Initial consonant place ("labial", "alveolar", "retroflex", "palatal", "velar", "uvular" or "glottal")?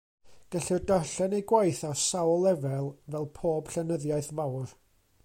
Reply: velar